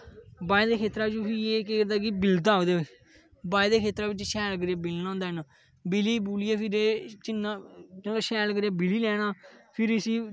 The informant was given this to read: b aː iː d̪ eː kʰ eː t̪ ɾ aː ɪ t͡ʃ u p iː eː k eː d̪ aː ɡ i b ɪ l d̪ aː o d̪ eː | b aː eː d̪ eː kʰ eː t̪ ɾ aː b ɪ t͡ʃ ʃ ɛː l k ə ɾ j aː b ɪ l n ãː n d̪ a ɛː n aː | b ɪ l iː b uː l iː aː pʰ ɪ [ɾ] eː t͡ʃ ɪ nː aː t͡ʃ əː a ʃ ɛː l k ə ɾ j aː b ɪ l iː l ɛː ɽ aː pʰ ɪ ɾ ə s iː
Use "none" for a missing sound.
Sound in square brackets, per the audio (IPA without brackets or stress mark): ɾ